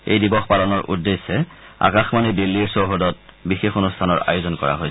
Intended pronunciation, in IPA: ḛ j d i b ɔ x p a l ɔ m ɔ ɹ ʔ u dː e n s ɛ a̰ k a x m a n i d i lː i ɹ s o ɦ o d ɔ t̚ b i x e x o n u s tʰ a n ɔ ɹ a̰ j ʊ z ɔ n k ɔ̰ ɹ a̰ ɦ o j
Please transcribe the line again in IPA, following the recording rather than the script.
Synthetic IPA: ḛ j d i b ɔ x p a l ɔ n ɔ ɹ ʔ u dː e s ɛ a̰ k a x m a n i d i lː i ɹ s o ɦ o d ɔ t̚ b i x e x o n u s tʰ a n ɔ ɹ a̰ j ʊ z ɔ n k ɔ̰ ɹ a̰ ɦ o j